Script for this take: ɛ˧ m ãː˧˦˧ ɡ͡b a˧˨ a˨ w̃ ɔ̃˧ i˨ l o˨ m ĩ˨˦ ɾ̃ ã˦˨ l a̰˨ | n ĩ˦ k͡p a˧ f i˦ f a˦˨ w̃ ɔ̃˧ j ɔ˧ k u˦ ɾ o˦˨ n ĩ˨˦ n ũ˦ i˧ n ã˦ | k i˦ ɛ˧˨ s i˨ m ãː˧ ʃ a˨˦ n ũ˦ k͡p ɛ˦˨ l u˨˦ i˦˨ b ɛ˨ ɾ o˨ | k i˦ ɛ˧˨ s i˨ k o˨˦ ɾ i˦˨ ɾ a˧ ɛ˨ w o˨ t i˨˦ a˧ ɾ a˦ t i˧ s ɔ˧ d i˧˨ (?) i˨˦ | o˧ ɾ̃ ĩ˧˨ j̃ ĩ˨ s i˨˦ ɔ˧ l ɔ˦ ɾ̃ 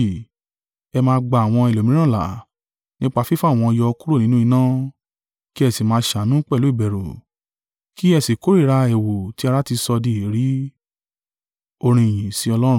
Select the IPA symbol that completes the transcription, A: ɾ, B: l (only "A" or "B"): A